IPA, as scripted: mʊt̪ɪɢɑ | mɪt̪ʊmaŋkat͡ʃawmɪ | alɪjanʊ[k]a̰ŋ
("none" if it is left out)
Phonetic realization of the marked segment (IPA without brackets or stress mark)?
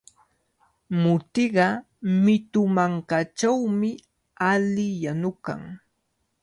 k